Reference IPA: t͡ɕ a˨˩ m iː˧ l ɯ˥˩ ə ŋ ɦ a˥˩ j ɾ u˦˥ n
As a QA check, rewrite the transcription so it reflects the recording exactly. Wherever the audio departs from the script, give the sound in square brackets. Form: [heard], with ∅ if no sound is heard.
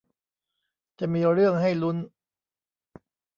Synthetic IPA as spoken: t͡ɕ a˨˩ m iː˧ [ɾ] ɯ˥˩ ə ŋ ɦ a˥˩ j [l] u˦˥ n